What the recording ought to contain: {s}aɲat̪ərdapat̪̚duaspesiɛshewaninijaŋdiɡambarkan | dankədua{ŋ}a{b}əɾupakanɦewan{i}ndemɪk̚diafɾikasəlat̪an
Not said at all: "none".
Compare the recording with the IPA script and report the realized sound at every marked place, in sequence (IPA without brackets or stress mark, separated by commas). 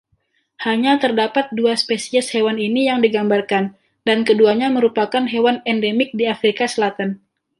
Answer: h, ɲ, m, ɛ